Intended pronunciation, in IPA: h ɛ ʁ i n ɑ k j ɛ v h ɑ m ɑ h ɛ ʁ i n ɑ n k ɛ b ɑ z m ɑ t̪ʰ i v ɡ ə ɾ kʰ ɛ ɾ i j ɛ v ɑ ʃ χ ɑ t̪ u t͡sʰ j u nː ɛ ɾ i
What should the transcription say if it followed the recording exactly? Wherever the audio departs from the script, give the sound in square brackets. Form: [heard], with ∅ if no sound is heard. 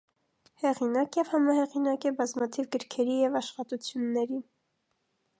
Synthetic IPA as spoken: h ɛ ʁ i n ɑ k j ɛ v h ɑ m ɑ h ɛ ʁ i n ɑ [∅] k ɛ b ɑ z m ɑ t̪ʰ i v ɡ ə ɾ kʰ ɛ ɾ i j ɛ v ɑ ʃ χ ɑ t̪ u t͡sʰ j u nː ɛ ɾ i